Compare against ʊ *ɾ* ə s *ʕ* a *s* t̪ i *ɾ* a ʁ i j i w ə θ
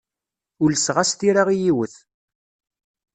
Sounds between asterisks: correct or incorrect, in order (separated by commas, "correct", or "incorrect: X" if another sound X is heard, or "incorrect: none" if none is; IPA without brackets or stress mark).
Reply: incorrect: l, incorrect: ʁ, correct, correct